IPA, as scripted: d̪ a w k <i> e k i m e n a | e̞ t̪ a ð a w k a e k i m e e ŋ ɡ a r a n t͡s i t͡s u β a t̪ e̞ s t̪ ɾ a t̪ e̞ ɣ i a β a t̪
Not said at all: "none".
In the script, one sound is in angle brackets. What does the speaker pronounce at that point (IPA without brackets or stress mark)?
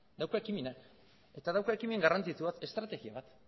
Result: a